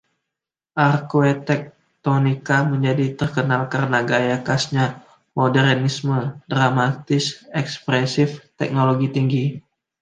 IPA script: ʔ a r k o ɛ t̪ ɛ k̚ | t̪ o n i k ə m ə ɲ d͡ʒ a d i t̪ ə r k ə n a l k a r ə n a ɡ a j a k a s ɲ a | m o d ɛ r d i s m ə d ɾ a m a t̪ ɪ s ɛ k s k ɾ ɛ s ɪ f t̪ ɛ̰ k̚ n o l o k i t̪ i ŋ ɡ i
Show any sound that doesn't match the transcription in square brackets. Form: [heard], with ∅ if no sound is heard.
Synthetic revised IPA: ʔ a r k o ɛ t̪ ɛ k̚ | t̪ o n i k [a] m ə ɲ d͡ʒ a d i t̪ ə r k ə n a l k a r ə n a ɡ a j a k a s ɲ a | m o d ɛ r [n] i s m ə d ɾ a m a t̪ ɪ s ɛ k s [p] ɾ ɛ s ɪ f t̪ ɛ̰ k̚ n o l o [ɡ] i t̪ i ŋ ɡ i